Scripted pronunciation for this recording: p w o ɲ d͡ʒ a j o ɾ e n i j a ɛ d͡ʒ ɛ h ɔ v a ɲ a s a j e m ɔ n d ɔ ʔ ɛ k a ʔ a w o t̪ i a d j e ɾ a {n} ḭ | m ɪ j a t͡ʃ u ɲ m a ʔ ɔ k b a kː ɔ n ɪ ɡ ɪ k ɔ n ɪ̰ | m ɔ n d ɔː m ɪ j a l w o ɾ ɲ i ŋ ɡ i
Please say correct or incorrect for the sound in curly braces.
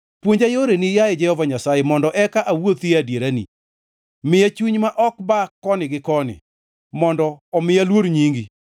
correct